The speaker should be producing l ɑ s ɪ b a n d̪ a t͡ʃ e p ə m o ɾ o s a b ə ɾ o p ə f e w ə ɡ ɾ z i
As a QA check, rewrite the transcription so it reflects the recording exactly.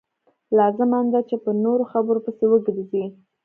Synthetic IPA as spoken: l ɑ z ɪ m a n d̪ a t͡ʃ e p ə n o ɾ o x a b ə ɾ o p ə s e w ə ɡ ɾ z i